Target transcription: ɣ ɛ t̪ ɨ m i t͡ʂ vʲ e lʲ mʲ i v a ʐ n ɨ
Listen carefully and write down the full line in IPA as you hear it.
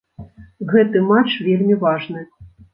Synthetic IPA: ɣ ɛ t̪ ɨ m a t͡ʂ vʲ e lʲ mʲ i v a ʐ n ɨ